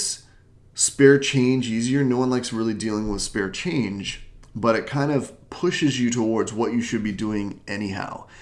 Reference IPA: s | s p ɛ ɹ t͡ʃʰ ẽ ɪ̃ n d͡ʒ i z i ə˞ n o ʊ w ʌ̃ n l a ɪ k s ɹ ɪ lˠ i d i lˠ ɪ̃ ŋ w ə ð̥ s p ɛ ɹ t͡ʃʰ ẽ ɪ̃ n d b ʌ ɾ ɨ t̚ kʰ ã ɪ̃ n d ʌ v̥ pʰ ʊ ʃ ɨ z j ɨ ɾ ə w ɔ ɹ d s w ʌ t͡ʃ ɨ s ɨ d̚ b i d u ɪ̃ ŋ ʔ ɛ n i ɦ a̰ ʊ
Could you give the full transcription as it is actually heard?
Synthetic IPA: s | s p ɛ ɹ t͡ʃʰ ẽ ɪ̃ n d͡ʒ i z i ə˞ n o ʊ w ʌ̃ n l a ɪ k s ɹ ɪ lˠ i d i lˠ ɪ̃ ŋ w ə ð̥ s p ɛ ɹ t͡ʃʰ ẽ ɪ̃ n d͡ʒ b ʌ ɾ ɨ t̚ kʰ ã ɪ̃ n d ʌ v̥ pʰ ʊ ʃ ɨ z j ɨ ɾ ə w ɔ ɹ d z w ʌ t͡ʃ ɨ ʃ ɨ d̚ b i d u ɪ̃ ŋ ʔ ɛ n i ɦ a̰ ʊ

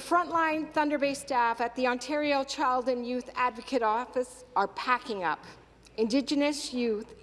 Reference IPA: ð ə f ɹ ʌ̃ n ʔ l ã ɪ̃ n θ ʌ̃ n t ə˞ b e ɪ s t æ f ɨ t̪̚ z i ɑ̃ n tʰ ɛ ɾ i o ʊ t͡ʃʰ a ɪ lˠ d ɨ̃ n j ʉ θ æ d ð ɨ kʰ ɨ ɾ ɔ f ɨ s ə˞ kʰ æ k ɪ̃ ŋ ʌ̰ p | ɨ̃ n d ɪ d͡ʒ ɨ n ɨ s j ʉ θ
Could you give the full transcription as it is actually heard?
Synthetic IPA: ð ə f ɹ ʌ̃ n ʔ l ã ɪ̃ n θ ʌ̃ n d ə˞ b e ɪ s t æ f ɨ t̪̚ ð i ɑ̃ n tʰ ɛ ɹ i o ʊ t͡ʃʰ a ɪ lˠ d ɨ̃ n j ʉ θ æ d v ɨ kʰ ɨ ɾ ɔ f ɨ s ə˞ pʰ æ k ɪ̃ ŋ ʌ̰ p | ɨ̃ n d ɪ d͡ʒ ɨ n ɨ s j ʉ θ

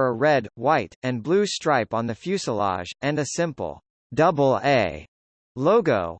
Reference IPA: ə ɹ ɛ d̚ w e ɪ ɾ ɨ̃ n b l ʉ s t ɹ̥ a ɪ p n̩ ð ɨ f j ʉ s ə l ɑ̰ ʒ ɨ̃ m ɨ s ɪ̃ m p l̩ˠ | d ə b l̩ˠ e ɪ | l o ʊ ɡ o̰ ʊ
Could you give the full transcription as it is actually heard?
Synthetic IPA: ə ɹ ɛ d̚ w a ɪ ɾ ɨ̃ n b l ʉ s t ɹ̥ a ɪ p n̩ ð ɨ f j ʉ s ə l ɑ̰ ʒ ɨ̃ n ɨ s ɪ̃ m p l̩ˠ | d ʌ b l̩ˠ e ɪ | l o ʊ ɡ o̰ ʊ

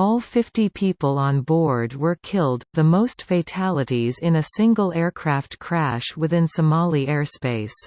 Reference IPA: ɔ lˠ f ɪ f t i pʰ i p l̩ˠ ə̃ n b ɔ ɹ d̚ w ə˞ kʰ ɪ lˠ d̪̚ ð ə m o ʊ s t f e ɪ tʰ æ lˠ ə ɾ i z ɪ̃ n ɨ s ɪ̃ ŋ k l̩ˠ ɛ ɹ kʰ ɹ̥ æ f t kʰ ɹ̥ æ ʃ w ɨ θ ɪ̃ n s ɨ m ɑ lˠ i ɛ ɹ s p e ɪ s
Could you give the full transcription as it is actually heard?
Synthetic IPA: ɔ lˠ f ɪ f t i pʰ i p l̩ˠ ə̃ n b ɔ ɹ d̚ w ə˞ kʰ ɪ lˠ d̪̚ ð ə m o ʊ s t f e ɪ tʰ æ lˠ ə ɾ i z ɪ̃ n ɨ s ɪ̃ ŋ ɡ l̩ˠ ɛ ɹ kʰ ɹ̥ æ f t kʰ ɹ̥ æ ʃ w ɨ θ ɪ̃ n s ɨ m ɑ lˠ i ɛ ɹ s p e ɪ s

